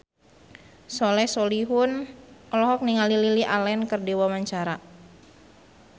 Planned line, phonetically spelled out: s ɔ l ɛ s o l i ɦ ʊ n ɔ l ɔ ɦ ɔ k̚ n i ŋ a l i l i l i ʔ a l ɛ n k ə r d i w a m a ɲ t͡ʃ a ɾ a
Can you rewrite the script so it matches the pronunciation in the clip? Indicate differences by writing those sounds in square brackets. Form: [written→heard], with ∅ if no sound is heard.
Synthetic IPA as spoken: s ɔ l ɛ s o l i ɦ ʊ n ɔ l ɔ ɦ ɔ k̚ n i ŋ a l i l i l i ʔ a l ɛ n k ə r d i w a m a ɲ t͡ʃ a ɾ a